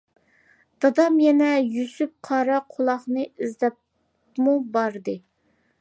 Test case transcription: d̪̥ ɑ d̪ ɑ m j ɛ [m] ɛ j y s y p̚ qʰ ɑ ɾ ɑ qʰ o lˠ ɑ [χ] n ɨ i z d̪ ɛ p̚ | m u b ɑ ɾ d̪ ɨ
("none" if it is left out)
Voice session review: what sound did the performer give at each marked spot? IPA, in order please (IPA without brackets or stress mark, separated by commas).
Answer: n, χ